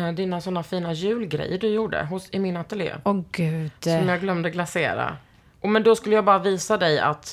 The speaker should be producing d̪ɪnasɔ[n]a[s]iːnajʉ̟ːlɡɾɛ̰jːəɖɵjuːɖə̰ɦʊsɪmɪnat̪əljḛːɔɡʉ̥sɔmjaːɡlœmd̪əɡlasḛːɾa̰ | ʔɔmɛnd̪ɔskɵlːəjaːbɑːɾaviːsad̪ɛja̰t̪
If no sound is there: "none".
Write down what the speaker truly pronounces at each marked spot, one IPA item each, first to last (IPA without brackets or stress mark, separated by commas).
nː, f